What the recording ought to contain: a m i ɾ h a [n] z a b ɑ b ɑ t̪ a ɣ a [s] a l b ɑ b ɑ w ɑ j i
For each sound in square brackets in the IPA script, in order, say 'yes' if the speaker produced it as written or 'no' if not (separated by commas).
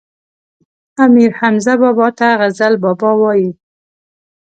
no, no